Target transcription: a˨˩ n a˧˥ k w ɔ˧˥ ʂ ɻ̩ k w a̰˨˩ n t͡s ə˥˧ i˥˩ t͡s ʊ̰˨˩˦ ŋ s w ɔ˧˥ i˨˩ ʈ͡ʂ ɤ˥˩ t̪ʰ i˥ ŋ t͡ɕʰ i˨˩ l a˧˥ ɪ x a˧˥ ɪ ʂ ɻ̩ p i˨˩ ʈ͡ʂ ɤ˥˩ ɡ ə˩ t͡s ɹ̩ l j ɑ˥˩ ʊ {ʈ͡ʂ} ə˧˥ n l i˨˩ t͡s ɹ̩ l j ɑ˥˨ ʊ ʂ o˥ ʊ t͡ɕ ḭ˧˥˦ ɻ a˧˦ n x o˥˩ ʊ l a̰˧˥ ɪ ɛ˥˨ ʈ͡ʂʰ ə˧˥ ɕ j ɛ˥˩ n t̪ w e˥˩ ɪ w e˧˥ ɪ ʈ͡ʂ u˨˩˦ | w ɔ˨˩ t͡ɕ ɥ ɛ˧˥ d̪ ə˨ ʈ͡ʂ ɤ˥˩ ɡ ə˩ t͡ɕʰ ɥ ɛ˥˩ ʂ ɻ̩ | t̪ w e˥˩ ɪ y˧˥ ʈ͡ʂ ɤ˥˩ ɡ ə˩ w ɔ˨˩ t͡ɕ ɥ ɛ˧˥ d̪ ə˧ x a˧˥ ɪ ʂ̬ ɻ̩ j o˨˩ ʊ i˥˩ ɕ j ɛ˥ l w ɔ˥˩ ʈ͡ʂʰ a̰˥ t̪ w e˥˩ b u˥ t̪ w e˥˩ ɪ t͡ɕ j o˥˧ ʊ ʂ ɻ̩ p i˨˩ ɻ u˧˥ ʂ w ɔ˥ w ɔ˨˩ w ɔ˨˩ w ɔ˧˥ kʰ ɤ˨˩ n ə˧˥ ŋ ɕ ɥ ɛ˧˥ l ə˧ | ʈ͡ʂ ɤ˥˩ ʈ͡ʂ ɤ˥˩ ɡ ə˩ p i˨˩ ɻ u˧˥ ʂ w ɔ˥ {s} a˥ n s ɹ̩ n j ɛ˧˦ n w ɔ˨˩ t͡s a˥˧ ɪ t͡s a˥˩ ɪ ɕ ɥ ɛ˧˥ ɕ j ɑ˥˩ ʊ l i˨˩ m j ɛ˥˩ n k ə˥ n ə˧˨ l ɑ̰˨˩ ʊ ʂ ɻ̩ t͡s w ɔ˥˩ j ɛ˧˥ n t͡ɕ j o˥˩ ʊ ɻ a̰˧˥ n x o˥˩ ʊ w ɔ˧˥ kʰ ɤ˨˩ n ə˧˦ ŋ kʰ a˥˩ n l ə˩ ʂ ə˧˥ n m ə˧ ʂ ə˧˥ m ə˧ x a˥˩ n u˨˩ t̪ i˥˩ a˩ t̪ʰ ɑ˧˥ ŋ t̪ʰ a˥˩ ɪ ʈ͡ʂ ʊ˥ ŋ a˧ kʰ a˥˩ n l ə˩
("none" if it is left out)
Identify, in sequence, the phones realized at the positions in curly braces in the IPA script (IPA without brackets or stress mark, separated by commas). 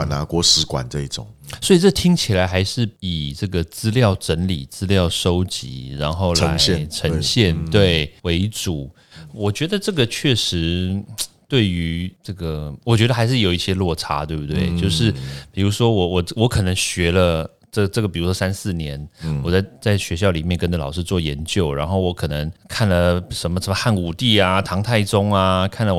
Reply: ʈ͡ʂ, s